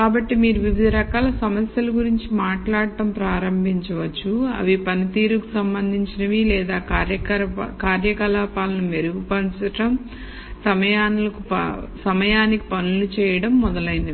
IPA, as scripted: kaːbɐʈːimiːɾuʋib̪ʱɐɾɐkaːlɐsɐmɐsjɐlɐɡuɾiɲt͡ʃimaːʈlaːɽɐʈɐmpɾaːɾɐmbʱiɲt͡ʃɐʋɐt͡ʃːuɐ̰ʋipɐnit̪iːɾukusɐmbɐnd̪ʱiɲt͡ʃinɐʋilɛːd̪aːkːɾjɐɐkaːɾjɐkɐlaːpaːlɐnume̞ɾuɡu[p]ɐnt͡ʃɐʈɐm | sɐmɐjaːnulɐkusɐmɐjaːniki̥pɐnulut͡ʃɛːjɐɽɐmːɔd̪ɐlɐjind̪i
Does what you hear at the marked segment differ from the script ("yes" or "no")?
no